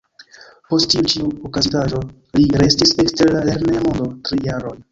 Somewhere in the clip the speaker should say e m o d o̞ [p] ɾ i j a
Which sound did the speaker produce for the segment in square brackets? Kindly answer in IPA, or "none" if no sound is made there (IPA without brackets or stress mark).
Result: t